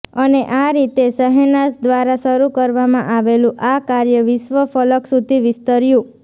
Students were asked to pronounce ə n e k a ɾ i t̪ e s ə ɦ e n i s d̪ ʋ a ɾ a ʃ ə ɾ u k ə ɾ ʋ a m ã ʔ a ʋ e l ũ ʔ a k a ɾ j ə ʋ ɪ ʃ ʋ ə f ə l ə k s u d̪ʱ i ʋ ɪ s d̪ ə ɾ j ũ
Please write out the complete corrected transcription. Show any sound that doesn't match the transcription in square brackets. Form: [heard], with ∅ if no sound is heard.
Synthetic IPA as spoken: ə n e [ʔ] a ɾ i t̪ e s ə ɦ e n [a] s d̪ ʋ a ɾ a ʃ ə ɾ u k ə ɾ ʋ a m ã ʔ a ʋ e l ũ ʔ a k a ɾ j ə ʋ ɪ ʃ ʋ ə f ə l ə k s u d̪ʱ i ʋ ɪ s [t̪] ə ɾ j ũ